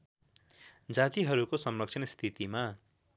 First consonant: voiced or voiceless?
voiced